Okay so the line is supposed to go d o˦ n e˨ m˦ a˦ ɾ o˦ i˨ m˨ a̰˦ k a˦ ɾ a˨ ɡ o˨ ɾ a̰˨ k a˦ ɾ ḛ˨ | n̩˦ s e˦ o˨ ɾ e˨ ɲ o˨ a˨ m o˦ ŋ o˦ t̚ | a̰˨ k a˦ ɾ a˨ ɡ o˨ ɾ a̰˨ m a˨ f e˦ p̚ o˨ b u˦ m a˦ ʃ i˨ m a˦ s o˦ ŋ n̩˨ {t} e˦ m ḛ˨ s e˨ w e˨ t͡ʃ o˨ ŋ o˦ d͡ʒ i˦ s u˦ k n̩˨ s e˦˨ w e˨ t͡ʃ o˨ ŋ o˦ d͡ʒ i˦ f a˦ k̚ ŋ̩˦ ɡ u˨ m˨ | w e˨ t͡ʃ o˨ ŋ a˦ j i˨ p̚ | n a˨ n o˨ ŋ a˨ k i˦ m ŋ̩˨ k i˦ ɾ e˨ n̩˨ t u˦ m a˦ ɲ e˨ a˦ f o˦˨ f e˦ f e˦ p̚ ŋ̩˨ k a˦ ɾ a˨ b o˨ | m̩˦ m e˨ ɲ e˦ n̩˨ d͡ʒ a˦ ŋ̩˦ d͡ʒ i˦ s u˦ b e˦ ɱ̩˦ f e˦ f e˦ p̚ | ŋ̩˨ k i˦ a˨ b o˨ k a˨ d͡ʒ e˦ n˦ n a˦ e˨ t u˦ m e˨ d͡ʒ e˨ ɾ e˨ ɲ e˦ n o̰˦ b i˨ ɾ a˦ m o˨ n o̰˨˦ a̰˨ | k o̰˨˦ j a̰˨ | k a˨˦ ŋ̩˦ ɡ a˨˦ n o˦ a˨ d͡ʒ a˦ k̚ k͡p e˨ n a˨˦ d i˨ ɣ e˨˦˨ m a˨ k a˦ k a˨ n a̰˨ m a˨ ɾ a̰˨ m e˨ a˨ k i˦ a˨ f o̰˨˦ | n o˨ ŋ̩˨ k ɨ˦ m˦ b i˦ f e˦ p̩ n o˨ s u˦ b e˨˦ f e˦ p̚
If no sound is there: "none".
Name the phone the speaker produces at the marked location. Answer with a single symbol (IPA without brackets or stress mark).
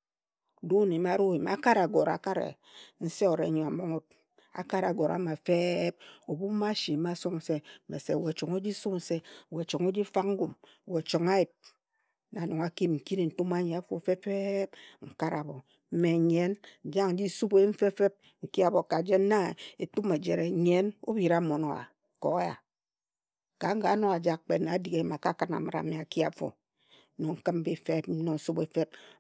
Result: s